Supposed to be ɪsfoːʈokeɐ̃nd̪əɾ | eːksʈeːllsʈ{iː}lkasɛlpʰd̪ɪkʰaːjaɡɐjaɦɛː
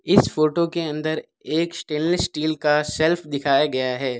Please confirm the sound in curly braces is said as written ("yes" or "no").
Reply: yes